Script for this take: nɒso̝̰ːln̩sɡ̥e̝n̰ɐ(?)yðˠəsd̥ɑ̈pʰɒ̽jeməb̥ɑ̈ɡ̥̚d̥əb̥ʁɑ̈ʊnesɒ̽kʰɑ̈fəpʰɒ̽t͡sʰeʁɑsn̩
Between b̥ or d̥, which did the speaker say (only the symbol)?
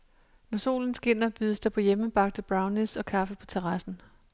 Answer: b̥